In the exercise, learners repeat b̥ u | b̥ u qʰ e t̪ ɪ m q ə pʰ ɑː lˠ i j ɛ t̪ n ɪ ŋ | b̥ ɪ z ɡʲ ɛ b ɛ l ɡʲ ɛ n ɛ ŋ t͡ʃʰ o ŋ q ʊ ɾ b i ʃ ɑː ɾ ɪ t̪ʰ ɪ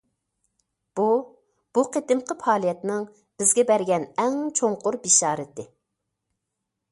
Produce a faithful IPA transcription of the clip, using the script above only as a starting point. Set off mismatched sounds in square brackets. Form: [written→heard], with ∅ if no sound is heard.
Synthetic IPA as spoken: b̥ u | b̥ u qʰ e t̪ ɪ m q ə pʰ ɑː lˠ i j ɛ t̪ n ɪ ŋ | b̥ ɪ z ɡʲ ɛ b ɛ [l→ɾ] ɡʲ ɛ n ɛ ŋ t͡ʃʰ o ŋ q ʊ ɾ b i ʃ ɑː ɾ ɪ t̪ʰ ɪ